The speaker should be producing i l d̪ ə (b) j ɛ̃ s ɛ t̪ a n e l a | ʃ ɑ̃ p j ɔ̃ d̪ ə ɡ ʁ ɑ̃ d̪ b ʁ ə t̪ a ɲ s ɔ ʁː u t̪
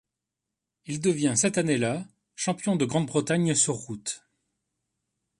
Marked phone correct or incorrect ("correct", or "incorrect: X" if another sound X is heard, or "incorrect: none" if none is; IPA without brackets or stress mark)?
incorrect: v